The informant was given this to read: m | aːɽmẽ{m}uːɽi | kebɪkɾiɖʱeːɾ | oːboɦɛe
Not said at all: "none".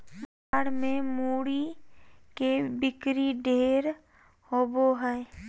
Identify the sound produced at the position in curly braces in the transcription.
m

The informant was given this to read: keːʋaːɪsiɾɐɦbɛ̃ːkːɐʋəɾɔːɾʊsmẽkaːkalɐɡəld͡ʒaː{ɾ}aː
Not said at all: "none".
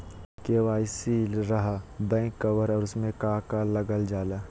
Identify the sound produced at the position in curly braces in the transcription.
l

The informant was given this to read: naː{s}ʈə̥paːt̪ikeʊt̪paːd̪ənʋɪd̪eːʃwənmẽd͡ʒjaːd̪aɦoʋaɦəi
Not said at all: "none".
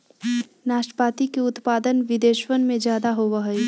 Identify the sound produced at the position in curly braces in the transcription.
ʃ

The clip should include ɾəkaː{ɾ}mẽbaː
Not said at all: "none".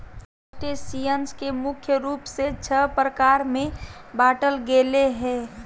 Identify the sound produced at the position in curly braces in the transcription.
ɾ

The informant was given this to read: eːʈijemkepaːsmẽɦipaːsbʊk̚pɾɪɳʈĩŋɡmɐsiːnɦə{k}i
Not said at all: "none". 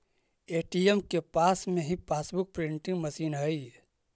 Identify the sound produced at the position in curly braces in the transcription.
none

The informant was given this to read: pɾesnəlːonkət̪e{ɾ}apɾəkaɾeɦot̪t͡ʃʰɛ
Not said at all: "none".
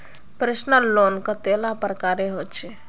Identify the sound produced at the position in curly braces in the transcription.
l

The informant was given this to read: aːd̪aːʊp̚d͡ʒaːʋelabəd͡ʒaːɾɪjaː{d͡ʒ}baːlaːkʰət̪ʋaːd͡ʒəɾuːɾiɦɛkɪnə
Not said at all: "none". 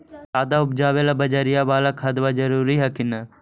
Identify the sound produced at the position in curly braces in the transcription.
none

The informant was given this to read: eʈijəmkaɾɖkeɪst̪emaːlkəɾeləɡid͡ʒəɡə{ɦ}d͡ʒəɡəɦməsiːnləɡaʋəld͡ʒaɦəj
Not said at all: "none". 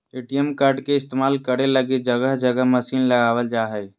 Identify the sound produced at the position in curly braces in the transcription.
ɦ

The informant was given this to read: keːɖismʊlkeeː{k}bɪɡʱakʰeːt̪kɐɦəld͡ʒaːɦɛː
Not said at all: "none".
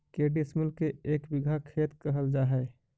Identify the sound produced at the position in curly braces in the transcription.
k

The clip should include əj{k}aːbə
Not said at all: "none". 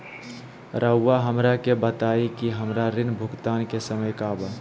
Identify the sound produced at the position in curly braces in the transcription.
k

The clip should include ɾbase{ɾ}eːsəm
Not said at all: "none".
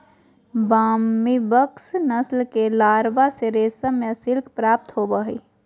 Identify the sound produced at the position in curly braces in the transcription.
ɾ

